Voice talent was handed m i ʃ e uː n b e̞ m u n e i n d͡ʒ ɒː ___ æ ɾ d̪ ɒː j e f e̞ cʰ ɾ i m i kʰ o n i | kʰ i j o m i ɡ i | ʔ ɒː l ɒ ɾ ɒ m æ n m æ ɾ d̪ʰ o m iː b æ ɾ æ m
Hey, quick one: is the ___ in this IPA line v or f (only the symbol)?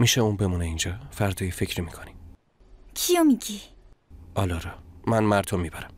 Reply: f